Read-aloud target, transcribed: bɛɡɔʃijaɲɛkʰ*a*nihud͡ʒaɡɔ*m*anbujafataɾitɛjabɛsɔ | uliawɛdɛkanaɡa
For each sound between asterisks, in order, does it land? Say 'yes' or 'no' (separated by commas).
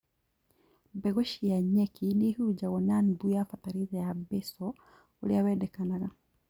no, no